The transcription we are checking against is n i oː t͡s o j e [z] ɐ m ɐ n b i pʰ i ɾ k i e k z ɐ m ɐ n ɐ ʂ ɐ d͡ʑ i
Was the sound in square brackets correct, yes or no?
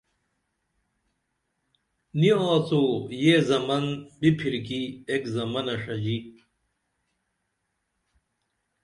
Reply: yes